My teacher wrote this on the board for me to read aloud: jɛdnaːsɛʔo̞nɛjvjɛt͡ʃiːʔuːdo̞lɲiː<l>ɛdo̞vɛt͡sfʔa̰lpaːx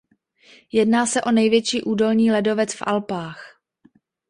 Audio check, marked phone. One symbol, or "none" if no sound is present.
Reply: l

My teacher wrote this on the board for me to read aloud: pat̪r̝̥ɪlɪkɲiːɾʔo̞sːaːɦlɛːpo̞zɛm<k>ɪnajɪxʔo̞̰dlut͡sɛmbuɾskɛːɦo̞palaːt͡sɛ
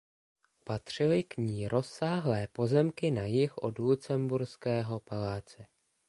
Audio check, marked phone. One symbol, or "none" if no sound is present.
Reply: k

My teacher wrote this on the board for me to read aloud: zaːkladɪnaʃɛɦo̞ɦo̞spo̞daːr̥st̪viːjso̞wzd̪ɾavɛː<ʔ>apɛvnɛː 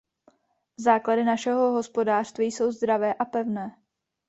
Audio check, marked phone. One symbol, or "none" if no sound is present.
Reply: ʔ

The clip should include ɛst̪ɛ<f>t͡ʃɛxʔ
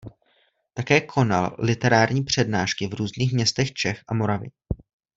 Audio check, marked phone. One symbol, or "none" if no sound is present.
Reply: x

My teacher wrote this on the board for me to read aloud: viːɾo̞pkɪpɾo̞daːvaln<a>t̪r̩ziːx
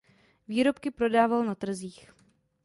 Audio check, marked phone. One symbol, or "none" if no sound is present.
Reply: a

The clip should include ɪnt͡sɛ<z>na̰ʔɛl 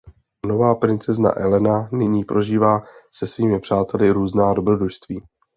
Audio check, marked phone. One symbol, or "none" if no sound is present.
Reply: z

